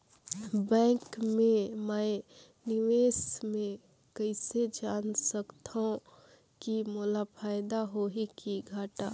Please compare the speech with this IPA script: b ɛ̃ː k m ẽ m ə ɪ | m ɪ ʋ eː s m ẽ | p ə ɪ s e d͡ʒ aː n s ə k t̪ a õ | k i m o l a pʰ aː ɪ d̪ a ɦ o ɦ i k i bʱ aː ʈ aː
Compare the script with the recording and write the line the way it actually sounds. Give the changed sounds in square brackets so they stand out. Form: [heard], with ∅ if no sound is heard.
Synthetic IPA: b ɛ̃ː k m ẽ m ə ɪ | [n] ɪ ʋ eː s m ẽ | [k] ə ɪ s e d͡ʒ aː n s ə k t̪ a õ | k i m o l a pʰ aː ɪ d̪ a ɦ o ɦ i k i [ɡʱ] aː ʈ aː

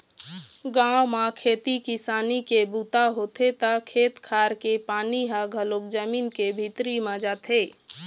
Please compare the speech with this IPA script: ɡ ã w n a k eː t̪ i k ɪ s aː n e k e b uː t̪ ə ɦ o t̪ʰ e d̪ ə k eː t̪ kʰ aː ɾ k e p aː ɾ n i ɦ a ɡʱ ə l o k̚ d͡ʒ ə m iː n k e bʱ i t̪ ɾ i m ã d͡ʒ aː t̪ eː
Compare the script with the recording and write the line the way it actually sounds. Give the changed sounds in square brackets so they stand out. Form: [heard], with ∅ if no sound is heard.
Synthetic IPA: ɡ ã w [m] a [kʰ] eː t̪ i k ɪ s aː n [i] k e b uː t̪ [a] ɦ o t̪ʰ e [t̪] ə [kʰ] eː t̪ kʰ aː ɾ k e p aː [∅] n i ɦ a ɡʱ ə l o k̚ d͡ʒ ə m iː n k e bʱ i t̪ ɾ i m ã d͡ʒ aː t̪ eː

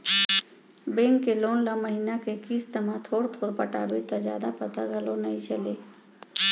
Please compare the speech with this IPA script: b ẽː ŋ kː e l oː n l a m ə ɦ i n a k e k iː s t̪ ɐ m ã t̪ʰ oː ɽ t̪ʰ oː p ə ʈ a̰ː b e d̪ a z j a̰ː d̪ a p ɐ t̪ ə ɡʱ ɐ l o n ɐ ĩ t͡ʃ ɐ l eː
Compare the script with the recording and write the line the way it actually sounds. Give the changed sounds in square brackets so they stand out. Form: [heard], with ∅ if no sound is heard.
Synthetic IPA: b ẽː ŋ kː e l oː n l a m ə ɦ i n a k e k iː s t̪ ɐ m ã t̪ʰ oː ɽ t̪ʰ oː p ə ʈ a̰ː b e [t̪] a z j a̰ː d̪ a p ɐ t̪ [a] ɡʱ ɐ l o n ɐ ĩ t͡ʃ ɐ l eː

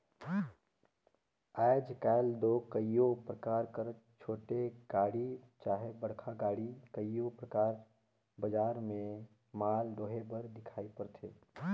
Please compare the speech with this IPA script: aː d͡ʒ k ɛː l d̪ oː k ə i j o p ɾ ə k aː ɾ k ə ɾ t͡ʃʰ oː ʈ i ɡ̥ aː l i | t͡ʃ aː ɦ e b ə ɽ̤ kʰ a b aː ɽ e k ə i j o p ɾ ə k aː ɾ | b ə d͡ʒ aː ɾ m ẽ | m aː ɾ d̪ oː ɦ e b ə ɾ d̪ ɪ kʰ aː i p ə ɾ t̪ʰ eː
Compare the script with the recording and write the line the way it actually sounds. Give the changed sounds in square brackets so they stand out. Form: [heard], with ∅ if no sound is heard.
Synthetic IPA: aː d͡ʒ k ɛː l d̪ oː k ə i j o p ɾ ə k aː ɾ k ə ɾ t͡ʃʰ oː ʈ [e] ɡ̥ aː [ɽ] i | t͡ʃ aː ɦ e b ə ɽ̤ kʰ a [ɡ] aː ɽ [i] k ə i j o p ɾ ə k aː ɾ | b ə d͡ʒ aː ɾ m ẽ | m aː [l] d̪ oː ɦ e b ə ɾ d̪ ɪ kʰ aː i p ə ɾ t̪ʰ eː

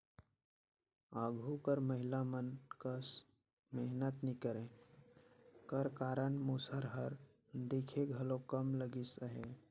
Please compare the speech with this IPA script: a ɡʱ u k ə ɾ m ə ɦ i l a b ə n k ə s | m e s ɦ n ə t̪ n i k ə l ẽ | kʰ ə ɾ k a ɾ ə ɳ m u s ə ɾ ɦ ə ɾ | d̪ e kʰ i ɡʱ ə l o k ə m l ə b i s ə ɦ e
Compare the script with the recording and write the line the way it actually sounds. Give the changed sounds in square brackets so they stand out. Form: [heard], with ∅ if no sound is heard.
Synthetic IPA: a ɡʱ u k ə ɾ m ə ɦ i l a [m] ə n k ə s | m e [∅] ɦ n ə t̪ n i k ə [ɾ] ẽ | [k] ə ɾ k a ɾ ə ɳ m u s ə ɾ ɦ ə ɾ | d̪ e kʰ [e] ɡʱ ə l o k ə m l ə [ɡ] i s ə ɦ e

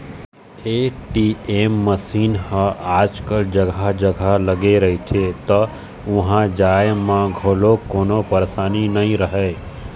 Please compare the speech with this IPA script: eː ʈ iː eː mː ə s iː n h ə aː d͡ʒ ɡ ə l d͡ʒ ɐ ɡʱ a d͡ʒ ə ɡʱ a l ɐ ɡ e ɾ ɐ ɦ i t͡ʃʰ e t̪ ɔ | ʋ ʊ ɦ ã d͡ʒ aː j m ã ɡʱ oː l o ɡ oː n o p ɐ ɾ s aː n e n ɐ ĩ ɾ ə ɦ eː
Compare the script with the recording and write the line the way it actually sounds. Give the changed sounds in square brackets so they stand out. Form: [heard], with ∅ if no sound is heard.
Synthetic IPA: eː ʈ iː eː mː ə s iː n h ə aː d͡ʒ [k] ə l d͡ʒ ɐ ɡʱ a d͡ʒ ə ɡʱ a l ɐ ɡ e ɾ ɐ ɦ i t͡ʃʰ e t̪ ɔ | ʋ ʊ ɦ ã d͡ʒ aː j m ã ɡʱ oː l o [k] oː n o p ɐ ɾ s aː n [i] n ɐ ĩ ɾ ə ɦ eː

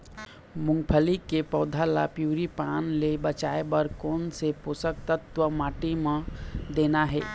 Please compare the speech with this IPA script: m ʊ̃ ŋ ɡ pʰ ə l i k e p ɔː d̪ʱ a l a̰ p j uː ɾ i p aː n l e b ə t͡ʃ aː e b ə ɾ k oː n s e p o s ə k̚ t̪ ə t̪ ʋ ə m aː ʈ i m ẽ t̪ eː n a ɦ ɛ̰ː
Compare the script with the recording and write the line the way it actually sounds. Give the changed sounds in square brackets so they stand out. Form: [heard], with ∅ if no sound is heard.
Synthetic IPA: m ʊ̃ ŋ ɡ pʰ ə l i k e p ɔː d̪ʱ a l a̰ p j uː ɾ i p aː n l e b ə t͡ʃ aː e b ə ɾ k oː n s e p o s ə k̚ t̪ ə t̪ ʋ ə m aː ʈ i m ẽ [d̪] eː n a ɦ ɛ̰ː

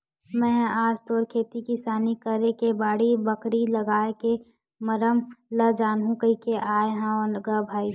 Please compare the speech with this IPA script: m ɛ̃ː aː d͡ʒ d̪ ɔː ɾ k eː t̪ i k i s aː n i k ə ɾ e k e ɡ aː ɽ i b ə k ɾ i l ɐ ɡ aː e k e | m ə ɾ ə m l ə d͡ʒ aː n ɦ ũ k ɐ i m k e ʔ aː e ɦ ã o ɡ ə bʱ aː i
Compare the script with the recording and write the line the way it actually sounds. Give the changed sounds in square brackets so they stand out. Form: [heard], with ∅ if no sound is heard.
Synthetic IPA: m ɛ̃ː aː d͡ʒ [t̪] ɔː ɾ [kʰ] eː t̪ i k i s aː n i k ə ɾ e k e [b] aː ɽ i b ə k ɾ i l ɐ ɡ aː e k e | m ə ɾ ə m l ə d͡ʒ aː n ɦ ũ k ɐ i [∅] k e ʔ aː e ɦ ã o ɡ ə bʱ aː i

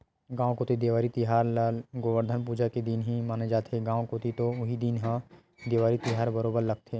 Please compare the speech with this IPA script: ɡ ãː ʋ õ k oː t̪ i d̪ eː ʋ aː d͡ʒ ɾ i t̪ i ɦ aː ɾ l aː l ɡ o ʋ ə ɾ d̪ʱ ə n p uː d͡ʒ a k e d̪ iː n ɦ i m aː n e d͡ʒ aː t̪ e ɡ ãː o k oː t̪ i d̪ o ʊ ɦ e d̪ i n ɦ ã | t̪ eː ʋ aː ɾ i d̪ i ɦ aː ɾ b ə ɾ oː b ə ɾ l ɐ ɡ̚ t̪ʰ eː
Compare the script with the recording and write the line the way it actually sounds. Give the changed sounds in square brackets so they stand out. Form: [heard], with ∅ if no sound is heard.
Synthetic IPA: ɡ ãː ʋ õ k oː t̪ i d̪ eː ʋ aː [∅] ɾ i t̪ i ɦ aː ɾ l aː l ɡ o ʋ ə ɾ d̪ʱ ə n p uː d͡ʒ a k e d̪ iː n ɦ i m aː n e d͡ʒ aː t̪ e ɡ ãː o k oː t̪ i [t̪] o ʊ ɦ [i] d̪ i n ɦ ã | [d̪] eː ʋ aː ɾ i [t̪] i ɦ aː ɾ b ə ɾ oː b ə ɾ l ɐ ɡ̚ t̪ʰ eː

